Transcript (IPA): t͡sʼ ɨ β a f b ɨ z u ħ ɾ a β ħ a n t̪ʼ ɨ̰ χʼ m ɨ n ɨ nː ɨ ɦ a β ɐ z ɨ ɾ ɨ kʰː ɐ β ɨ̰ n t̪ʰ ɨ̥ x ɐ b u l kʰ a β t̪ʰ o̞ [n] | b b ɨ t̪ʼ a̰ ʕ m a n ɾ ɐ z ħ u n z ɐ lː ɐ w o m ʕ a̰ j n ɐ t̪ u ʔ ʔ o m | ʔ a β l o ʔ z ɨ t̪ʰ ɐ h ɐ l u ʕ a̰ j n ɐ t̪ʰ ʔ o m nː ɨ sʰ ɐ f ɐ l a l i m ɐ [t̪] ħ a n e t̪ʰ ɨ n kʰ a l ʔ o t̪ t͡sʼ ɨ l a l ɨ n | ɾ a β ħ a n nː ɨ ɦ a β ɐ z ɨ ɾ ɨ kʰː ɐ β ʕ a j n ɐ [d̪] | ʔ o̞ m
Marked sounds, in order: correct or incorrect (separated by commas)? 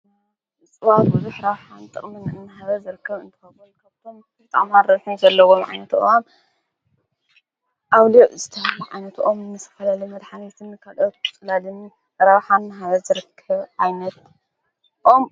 incorrect, incorrect, incorrect